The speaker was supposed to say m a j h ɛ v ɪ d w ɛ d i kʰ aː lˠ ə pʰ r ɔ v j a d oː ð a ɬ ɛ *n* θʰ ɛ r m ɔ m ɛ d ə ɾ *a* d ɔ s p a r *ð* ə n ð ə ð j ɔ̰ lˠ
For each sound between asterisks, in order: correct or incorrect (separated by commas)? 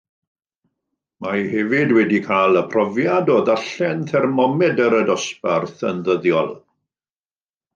correct, incorrect, incorrect